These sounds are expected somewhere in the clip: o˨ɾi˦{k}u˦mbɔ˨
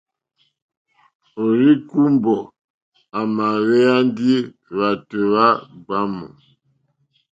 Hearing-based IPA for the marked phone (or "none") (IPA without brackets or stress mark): k